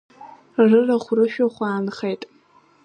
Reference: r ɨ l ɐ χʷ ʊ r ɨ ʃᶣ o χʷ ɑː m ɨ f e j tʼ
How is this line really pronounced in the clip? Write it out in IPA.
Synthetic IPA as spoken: r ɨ r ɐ χʷ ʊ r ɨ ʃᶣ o χʷ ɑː n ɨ χ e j tʼ